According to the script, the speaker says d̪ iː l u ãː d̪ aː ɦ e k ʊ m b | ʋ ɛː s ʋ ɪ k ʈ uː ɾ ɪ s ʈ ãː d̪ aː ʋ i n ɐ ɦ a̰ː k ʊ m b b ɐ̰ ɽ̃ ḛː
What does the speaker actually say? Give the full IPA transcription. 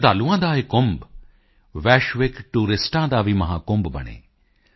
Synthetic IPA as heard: d̪ aː l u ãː d̪ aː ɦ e k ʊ m b | ʋ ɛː ʃ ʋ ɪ k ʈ uː ɾ ɪ s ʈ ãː d̪ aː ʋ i m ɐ ɦ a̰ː k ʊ m b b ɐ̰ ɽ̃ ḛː